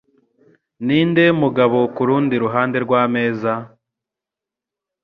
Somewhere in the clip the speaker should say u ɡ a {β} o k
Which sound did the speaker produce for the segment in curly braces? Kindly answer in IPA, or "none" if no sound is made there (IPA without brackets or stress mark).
β